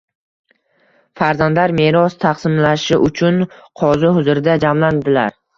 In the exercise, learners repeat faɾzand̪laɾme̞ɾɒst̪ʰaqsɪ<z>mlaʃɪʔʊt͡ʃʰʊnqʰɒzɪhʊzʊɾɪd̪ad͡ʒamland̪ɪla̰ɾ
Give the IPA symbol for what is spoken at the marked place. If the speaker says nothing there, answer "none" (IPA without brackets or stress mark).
none